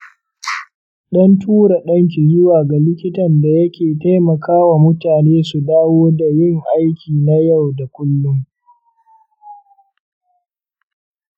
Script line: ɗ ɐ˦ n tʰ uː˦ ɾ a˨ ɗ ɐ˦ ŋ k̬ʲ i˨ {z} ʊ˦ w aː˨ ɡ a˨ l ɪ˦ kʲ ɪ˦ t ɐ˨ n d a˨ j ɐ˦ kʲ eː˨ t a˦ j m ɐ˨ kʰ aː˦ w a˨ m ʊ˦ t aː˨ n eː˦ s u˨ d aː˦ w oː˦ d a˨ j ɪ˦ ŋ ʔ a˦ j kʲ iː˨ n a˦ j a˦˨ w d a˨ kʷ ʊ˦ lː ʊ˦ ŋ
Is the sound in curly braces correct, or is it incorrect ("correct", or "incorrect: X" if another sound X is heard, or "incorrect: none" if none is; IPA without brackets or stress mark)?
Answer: correct